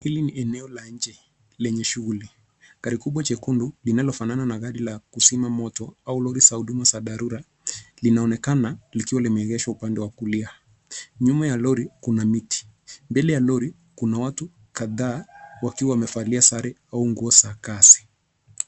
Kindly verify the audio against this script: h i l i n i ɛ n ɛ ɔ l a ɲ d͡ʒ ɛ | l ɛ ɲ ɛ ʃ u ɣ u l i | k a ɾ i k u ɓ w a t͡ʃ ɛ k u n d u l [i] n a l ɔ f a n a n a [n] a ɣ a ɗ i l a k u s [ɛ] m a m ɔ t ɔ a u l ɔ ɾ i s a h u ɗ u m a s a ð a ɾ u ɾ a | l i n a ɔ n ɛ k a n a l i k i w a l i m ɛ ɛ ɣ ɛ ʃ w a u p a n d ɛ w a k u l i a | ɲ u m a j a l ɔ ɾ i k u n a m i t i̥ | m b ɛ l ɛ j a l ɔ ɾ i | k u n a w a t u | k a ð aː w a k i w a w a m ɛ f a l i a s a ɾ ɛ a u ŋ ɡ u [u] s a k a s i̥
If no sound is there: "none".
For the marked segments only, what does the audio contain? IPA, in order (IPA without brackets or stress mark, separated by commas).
i, n, i, ɔ